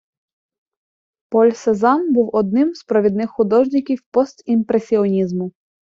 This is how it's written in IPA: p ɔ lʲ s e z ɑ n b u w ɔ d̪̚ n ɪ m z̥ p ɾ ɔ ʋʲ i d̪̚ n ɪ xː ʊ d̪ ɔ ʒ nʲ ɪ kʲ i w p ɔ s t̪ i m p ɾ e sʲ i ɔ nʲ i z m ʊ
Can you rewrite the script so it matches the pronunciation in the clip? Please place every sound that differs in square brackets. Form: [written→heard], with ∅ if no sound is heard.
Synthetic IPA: p ɔ lʲ s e z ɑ n b u w ɔ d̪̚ n ɪ m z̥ p ɾ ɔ ʋʲ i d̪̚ n ɪ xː ʊ d̪ ɔ ʒ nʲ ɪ kʲ i w p ɔ s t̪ i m p ɾ e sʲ i ɔ nʲ i z m ʊ